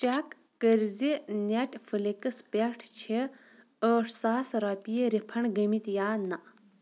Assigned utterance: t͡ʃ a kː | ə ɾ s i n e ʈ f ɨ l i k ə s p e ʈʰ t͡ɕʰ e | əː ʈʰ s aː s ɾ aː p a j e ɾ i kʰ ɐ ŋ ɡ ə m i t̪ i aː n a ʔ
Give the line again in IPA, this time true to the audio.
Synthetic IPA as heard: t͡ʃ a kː | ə ɾ z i n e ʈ f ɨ l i k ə s p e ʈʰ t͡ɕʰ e | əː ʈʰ s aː s ɾ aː p i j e ɾ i pʰ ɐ ɳ ɡ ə m i t̪ j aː n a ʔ